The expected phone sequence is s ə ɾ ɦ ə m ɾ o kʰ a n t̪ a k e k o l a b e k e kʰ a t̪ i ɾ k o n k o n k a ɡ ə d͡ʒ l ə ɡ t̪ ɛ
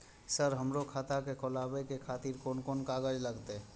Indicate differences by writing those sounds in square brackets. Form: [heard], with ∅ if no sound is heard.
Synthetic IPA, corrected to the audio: s ə ɾ ɦ ə m ɾ o kʰ a [∅] t̪ a k e k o l a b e k e kʰ a t̪ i ɾ k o n k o n k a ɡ ə d͡ʒ l ə ɡ t̪ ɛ